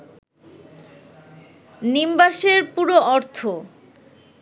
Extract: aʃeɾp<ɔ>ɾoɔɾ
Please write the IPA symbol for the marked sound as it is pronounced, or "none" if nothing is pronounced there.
u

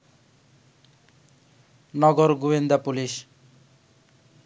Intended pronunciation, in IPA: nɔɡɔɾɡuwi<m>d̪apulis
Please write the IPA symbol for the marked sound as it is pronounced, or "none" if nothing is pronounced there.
n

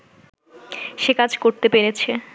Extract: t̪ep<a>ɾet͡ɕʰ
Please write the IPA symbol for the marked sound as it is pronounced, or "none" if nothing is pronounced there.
e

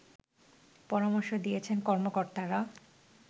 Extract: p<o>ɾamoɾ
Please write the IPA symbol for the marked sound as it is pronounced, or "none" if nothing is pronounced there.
ɔ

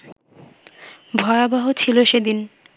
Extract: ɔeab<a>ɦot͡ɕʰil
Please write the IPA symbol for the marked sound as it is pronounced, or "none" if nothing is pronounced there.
a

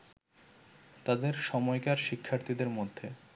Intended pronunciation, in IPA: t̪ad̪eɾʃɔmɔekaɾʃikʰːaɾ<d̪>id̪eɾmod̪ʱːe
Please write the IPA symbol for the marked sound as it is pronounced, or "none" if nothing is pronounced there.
t̪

